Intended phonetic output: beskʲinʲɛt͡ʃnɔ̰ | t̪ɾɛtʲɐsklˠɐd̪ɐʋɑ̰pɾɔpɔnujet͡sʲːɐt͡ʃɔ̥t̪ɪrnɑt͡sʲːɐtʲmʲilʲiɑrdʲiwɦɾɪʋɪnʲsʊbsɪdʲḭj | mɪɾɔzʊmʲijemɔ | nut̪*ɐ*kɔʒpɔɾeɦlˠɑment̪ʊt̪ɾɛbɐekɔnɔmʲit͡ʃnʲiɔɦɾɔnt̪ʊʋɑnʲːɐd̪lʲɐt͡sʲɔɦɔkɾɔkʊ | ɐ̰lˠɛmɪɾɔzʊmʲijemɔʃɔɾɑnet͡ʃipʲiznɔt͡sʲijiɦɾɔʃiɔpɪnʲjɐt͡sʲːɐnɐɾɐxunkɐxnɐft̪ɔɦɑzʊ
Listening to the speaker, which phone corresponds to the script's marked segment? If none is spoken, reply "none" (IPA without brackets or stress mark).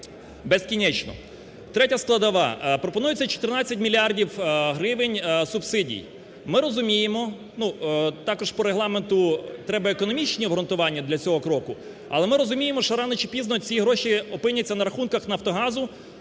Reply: ɑ